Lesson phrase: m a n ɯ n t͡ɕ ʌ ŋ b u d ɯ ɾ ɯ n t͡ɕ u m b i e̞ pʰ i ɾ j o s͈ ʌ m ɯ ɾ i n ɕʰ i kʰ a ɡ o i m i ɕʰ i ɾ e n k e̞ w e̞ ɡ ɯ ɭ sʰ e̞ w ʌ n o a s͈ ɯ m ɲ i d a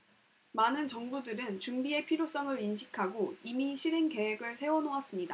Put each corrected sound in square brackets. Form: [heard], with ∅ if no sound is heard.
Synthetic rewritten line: m a n ɯ n t͡ɕ ʌ ŋ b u d ɯ ɾ ɯ n t͡ɕ u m b i e̞ pʰ i ɾ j o s͈ ʌ [ŋ] ɯ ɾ i n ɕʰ i kʰ a ɡ o i m i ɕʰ i ɾ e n k e̞ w e̞ ɡ ɯ ɭ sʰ e̞ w ʌ n o a s͈ ɯ m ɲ i d a